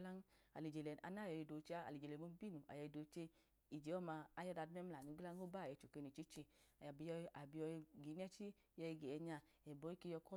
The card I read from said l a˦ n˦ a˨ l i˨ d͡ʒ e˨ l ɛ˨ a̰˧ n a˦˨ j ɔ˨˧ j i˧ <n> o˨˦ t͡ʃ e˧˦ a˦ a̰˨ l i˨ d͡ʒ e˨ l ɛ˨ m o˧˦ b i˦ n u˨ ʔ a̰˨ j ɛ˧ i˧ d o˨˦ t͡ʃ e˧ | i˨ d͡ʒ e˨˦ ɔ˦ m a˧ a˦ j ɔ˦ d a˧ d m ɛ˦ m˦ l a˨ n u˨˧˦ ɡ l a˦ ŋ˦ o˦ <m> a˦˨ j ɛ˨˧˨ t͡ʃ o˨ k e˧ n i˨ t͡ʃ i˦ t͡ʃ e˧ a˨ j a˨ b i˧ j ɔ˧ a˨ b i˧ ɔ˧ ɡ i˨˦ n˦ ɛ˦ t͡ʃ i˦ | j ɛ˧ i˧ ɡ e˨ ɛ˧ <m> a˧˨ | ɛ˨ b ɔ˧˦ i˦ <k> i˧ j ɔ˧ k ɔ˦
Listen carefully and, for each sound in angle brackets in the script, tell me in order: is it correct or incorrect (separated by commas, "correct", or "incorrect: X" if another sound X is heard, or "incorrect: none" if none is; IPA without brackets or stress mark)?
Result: incorrect: d, incorrect: b, incorrect: ɲ, correct